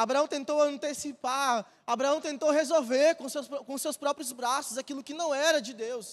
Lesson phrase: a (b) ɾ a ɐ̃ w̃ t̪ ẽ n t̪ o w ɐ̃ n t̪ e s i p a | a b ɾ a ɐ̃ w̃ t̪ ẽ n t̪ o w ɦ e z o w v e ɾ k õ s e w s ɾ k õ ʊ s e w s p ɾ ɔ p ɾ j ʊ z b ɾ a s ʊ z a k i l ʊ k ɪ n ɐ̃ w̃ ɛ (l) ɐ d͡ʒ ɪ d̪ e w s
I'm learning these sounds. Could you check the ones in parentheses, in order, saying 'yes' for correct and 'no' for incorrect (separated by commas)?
yes, no